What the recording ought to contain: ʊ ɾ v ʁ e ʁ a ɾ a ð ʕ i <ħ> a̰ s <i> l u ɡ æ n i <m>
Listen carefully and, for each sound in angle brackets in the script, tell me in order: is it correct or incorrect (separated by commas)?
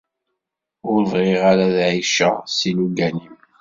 incorrect, correct, correct